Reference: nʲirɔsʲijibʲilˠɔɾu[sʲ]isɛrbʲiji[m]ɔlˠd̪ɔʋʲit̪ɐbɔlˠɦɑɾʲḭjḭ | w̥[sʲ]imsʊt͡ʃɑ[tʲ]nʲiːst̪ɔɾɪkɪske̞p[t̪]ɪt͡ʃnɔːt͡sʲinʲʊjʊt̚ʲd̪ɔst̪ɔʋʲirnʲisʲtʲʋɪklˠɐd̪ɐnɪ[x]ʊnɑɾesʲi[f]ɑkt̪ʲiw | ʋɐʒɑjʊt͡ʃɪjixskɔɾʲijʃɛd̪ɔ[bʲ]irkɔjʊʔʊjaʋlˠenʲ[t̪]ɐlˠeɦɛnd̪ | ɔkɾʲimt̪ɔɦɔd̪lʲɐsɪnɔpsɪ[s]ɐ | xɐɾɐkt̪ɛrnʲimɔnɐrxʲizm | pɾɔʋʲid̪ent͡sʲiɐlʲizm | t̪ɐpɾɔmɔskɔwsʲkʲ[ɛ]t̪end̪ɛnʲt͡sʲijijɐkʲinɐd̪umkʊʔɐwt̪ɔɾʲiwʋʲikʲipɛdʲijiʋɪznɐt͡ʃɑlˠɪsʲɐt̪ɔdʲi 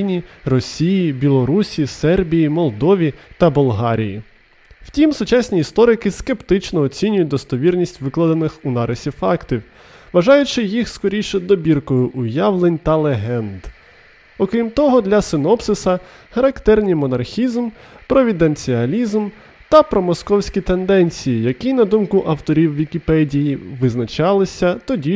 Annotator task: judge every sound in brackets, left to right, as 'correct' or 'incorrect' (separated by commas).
correct, correct, incorrect, incorrect, correct, correct, correct, correct, correct, correct, incorrect